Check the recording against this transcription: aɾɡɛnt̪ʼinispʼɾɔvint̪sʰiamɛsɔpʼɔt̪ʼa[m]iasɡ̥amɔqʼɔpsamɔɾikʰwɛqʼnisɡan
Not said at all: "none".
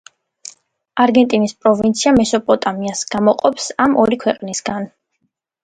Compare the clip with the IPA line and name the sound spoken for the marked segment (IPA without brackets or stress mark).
m